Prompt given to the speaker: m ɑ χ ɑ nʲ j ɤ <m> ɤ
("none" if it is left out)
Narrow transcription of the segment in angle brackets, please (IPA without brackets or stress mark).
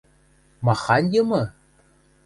m